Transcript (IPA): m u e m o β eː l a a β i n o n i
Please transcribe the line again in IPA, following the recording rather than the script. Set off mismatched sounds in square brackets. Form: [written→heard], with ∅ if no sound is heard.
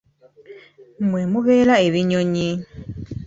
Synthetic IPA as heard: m [u→w] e m [o→u] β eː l a [a→e] β i [n→ɲ] o [n→ɲ] i